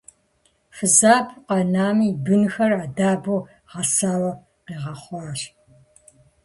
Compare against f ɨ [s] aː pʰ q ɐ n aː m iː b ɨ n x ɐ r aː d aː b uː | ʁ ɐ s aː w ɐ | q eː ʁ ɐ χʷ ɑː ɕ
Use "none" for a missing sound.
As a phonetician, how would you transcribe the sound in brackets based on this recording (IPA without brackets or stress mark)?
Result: z